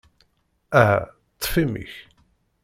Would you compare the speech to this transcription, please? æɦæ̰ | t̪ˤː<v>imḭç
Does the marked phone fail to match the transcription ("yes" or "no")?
yes